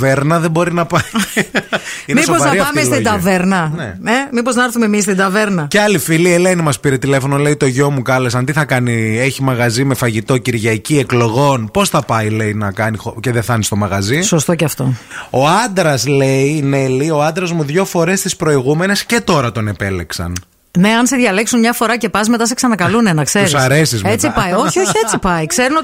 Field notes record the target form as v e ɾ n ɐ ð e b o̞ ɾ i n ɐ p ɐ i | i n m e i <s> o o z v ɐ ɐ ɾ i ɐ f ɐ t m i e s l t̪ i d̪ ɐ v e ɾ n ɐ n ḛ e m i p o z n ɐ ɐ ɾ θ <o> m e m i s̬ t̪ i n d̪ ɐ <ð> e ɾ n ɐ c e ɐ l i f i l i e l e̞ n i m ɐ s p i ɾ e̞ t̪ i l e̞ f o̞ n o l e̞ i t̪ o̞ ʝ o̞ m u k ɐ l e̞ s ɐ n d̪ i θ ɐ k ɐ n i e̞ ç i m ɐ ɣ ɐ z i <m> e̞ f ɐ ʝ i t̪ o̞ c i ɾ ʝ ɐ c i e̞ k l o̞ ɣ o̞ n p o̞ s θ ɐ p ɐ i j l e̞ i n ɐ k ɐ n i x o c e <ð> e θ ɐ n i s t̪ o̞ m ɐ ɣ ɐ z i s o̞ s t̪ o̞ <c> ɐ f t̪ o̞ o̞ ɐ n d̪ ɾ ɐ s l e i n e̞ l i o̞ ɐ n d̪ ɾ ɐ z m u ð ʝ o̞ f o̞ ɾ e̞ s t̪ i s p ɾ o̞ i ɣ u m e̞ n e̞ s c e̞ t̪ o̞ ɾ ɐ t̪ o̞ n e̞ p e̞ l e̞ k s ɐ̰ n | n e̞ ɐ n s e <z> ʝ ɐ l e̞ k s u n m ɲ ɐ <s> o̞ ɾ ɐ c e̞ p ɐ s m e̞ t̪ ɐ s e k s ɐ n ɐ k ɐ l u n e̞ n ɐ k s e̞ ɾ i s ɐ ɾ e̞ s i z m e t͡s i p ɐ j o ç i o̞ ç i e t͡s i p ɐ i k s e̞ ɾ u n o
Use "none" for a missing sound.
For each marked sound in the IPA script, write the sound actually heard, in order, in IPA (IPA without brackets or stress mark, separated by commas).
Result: s, u, v, m, ð, c, ð, f